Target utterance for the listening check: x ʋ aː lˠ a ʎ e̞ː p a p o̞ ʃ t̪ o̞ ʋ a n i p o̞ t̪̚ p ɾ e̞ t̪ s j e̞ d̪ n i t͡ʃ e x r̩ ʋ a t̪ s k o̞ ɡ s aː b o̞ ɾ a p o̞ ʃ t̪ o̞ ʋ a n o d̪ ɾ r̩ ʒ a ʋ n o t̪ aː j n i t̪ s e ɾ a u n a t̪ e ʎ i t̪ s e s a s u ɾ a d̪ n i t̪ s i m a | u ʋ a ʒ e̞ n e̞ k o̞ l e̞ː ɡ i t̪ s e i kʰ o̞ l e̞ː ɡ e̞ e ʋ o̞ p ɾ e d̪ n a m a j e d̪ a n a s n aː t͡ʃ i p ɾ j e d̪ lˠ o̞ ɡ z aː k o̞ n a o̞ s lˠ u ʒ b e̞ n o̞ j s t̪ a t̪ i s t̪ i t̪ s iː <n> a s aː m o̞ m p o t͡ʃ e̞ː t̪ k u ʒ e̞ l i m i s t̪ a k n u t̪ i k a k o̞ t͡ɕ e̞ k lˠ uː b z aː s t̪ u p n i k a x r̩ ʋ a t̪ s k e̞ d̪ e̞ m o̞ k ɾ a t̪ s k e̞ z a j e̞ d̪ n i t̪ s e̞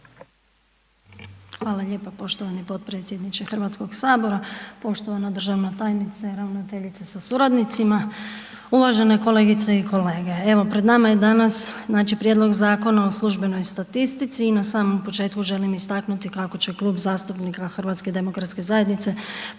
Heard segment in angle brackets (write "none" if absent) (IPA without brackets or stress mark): n